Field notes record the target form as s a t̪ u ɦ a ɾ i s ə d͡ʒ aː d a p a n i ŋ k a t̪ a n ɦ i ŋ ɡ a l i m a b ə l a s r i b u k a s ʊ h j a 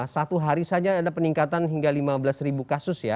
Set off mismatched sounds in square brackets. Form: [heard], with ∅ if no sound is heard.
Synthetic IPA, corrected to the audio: s a t̪ u ɦ a ɾ i s [a] d͡ʒ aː d a p [ə] n i ŋ k a t̪ a n ɦ i ŋ ɡ a l i m a b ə l a s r i b u k a s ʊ [s] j a